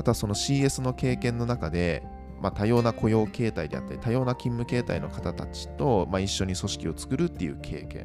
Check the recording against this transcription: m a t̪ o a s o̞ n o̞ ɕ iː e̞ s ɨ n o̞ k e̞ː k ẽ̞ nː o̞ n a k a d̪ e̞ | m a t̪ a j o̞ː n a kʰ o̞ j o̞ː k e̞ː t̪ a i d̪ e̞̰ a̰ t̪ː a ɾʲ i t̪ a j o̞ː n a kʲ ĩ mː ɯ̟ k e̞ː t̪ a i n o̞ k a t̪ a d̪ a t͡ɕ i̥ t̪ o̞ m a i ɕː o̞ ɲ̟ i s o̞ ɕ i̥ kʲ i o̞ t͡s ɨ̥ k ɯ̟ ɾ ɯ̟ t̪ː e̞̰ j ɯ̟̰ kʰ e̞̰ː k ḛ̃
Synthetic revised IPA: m a t̪ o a s o̞ n o̞ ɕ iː e̞ s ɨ n o̞ k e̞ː k ẽ̞ nː o̞ n a k a d̪ e̞ | m a t̪ a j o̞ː n a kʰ o̞ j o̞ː k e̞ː t̪ a i d̪ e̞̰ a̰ t̪ː a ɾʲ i t̪ a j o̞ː n a kʲ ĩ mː ɯ̟ k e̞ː t̪ a i n o̞ k a t̪ a t̪ a t͡ɕ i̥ t̪ o̞ m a i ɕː o̞ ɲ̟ i s o̞ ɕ i̥ kʲ i o̞ t͡s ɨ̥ k ɯ̟ ɾ ɯ̟ t̪ː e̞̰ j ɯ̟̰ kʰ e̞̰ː k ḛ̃